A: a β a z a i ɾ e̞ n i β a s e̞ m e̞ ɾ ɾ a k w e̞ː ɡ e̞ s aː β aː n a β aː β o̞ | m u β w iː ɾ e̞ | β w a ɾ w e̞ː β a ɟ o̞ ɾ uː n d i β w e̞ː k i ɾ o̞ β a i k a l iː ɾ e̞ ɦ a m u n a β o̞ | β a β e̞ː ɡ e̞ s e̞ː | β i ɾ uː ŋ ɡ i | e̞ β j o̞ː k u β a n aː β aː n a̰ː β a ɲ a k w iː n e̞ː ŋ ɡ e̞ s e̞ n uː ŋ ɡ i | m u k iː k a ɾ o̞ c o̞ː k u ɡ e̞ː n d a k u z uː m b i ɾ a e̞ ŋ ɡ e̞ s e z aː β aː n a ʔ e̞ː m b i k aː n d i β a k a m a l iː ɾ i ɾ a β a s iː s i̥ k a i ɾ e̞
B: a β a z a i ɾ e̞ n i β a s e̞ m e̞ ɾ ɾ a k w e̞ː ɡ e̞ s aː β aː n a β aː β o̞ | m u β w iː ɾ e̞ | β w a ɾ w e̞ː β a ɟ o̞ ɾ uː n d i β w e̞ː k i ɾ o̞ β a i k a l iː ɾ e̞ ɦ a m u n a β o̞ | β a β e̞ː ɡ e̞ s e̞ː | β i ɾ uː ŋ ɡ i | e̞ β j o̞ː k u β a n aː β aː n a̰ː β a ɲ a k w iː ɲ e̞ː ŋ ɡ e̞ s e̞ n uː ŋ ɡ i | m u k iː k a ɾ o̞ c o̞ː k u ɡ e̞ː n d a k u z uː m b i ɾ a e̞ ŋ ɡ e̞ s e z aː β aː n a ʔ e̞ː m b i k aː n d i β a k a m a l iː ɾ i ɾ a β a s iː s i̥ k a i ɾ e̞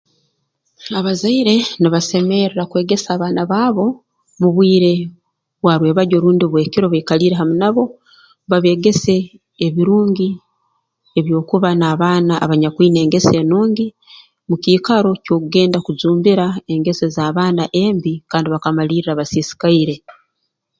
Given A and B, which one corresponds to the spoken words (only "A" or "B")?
A